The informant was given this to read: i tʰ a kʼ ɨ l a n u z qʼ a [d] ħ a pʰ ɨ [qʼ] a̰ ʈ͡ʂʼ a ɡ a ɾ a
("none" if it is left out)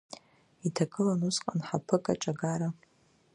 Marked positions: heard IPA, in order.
n, kʼ

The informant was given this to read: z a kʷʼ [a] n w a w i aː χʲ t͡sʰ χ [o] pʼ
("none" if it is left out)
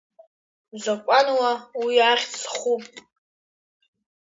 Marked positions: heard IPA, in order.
a, u

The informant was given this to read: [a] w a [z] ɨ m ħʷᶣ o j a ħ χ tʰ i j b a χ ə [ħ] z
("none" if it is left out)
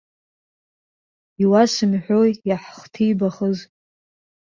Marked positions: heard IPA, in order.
i, s, none

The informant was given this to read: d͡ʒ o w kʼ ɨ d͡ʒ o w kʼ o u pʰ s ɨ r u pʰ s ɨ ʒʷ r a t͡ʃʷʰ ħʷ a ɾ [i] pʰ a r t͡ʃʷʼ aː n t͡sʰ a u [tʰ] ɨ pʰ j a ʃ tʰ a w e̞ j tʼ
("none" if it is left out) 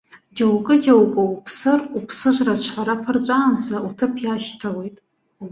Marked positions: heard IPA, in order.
a, tʰ

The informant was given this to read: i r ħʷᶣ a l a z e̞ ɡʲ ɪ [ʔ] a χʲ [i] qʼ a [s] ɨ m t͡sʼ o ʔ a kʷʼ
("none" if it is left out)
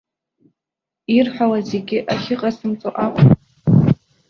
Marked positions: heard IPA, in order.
ʔ, ɪ, s

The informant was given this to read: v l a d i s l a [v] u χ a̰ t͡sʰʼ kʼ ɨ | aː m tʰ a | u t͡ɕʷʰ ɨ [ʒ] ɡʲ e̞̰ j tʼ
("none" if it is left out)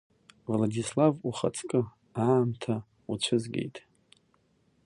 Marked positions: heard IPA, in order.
v, z

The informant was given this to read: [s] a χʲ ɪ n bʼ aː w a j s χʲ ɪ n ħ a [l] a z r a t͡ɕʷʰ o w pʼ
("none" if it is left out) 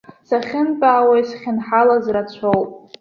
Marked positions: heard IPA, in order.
s, l

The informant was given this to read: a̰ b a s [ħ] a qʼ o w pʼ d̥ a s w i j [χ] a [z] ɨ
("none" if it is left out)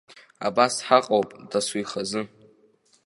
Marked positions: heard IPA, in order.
ħ, χ, z

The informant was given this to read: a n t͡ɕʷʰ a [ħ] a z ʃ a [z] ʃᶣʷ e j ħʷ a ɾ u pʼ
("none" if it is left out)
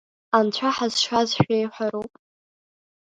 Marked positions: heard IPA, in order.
ħ, z

